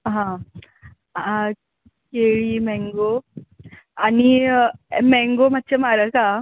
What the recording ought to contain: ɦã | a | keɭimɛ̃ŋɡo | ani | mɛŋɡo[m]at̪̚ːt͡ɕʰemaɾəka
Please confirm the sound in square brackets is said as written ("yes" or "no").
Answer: yes